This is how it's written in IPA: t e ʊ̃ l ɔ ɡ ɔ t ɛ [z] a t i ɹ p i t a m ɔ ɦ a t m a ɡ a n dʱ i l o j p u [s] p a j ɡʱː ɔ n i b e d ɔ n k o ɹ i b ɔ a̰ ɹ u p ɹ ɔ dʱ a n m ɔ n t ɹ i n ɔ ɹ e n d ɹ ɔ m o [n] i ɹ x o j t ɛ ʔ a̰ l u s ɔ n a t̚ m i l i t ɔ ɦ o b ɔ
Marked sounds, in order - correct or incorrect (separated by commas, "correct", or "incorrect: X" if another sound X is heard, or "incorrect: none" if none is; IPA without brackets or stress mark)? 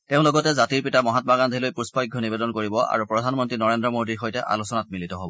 correct, correct, incorrect: d